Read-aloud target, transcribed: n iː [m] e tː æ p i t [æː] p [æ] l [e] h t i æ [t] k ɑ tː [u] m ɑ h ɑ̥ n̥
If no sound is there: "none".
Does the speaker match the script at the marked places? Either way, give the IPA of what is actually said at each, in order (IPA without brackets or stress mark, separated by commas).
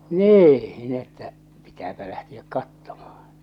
n, æː, æ, æ, k, o